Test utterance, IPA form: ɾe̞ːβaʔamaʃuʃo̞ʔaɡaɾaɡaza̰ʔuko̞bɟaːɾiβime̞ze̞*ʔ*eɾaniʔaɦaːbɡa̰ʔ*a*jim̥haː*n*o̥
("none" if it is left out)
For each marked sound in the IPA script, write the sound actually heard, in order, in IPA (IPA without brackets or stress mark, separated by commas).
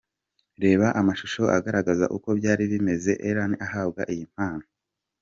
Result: ʔ, i, n